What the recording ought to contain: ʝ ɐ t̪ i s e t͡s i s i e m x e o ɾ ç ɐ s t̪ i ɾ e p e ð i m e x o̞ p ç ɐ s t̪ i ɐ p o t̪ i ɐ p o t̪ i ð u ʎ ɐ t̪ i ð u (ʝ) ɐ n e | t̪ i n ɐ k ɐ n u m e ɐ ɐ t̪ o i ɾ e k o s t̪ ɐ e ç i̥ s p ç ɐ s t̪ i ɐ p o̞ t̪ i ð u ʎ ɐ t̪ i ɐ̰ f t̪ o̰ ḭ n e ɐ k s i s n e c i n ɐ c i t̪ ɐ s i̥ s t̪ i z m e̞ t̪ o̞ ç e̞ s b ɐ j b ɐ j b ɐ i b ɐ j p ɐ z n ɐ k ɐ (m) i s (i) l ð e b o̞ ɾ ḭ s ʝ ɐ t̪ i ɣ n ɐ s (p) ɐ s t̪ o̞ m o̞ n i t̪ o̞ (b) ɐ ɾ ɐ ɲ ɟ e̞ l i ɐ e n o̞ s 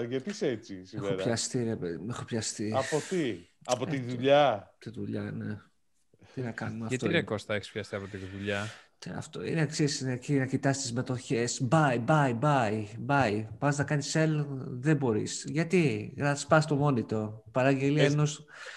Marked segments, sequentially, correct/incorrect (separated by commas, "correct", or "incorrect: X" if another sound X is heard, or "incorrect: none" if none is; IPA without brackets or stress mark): incorrect: ʎ, incorrect: n, incorrect: e, correct, incorrect: p